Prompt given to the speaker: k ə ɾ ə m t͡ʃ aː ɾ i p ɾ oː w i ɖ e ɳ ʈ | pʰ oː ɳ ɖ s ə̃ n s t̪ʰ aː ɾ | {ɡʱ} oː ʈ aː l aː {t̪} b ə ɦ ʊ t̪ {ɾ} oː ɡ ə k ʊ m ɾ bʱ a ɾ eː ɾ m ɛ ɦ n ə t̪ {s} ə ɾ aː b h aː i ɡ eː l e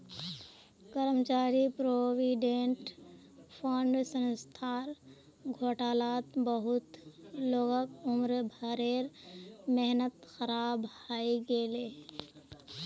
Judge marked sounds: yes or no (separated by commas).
yes, yes, no, no